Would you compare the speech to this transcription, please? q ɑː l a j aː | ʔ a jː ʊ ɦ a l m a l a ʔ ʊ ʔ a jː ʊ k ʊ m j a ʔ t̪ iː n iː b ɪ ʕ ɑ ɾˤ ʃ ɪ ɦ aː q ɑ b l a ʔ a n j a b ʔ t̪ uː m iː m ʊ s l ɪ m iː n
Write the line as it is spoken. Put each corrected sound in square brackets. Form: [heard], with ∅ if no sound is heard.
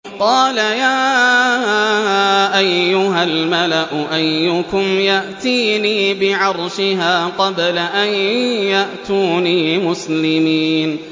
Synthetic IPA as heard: q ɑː l a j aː | ʔ a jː ʊ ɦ a l m a l a ʔ ʊ ʔ a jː ʊ k ʊ m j a ʔ t̪ iː n iː b ɪ ʕ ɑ ɾˤ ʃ ɪ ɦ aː q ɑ b l a ʔ a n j a [∅] ʔ t̪ uː [n] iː m ʊ s l ɪ m iː n

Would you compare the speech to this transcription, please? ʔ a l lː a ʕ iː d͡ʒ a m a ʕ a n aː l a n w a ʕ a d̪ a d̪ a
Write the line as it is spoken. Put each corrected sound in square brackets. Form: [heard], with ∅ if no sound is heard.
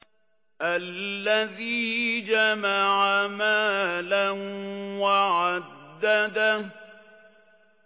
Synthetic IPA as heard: ʔ a l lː a [ð] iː d͡ʒ a m a ʕ a [m] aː l a n w a ʕ a [d̪ː] a d̪ a

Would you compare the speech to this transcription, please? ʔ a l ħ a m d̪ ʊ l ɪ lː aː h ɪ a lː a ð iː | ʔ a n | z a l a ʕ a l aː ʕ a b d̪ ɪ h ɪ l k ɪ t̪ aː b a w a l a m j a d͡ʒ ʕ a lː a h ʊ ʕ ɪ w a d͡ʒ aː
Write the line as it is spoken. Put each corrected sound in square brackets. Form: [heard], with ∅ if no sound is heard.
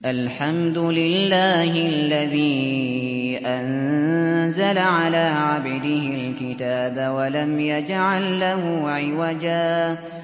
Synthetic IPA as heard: ʔ a l ħ a m d̪ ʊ l ɪ lː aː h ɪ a lː a ð iː | ʔ a n | z a l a ʕ a l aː ʕ a b d̪ ɪ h ɪ l k ɪ t̪ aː b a w a l a m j a d͡ʒ ʕ a lː a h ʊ ʕ ɪ w a d͡ʒ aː

